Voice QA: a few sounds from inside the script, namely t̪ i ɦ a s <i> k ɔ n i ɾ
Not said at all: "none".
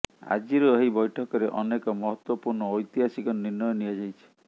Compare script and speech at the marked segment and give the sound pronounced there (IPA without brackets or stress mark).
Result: i